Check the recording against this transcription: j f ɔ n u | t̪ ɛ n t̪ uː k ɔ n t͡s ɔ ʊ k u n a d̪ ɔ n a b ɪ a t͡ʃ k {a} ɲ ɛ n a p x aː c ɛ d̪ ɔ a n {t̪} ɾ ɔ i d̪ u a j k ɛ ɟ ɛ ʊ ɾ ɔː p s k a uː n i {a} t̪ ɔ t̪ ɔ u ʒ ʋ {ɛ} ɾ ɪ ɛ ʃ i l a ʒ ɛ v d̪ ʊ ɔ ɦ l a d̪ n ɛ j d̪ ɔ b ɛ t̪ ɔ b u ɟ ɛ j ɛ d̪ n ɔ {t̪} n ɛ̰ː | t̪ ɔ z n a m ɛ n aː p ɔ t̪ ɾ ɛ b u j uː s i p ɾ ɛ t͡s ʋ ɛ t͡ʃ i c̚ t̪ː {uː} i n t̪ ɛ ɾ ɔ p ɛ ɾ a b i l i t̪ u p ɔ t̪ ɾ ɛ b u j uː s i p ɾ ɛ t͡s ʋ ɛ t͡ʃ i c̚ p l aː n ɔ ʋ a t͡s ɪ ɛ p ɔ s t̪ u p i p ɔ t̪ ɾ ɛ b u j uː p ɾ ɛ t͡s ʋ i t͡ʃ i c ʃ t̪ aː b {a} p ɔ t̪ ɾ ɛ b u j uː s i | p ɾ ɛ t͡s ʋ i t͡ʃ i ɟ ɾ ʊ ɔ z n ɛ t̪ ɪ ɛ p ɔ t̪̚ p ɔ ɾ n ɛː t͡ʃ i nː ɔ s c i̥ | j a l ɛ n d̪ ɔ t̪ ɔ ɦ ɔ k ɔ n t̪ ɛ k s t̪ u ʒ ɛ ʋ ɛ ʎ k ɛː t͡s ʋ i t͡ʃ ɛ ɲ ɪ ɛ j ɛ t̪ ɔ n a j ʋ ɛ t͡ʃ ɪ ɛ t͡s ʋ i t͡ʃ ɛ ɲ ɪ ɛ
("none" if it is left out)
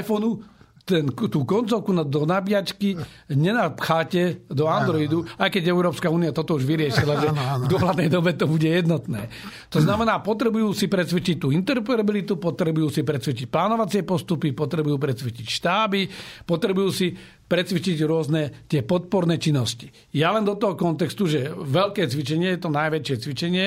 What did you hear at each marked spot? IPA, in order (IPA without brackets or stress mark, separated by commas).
i, d̪, a, i, t̪, uː, i